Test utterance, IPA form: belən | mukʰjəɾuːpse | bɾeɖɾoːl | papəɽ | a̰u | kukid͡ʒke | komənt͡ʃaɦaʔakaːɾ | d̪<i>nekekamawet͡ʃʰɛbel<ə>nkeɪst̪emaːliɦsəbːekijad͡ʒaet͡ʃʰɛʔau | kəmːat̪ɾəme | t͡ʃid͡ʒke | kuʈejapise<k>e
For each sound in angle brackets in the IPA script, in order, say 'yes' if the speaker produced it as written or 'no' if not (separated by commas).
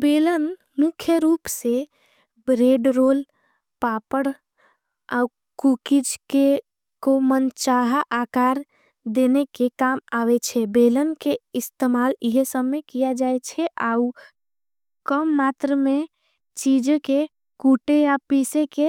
no, yes, yes